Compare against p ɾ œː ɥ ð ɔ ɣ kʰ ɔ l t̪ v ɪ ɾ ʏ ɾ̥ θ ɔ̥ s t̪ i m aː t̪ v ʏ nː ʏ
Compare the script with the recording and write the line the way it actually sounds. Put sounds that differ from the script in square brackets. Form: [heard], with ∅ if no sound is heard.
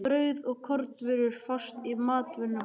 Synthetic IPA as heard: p ɾ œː ɥ ð ɔ ɣ kʰ ɔ [ɾ] t̪ v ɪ ɾ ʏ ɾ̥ [f] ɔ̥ s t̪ i m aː t̪ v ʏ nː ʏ